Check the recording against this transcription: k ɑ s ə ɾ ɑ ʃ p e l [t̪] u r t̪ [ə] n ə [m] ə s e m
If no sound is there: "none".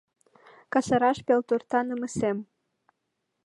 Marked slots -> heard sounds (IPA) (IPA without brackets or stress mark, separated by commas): t̪, ɑ, m